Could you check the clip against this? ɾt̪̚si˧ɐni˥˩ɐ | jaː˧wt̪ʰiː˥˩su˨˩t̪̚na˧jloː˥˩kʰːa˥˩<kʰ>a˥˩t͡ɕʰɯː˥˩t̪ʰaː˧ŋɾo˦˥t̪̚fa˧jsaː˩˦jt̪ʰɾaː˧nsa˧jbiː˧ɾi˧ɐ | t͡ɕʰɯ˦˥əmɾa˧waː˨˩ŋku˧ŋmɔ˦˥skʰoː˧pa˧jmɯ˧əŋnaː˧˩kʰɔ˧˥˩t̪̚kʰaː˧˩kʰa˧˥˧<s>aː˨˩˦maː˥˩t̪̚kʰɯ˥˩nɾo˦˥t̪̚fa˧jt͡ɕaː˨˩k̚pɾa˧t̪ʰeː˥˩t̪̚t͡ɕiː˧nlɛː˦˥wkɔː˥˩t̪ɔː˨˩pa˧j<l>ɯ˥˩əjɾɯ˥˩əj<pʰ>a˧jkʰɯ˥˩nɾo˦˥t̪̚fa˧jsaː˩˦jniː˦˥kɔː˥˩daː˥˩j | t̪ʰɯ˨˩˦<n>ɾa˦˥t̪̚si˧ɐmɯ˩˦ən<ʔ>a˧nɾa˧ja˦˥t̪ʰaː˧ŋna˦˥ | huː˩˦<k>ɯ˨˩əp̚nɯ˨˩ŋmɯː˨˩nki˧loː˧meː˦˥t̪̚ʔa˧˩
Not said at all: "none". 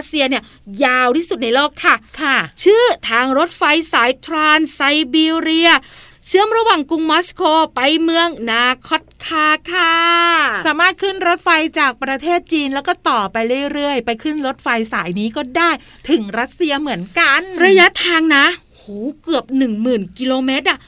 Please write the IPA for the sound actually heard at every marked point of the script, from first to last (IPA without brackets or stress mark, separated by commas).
kʰ, s, ɾ, p, ŋ, k, k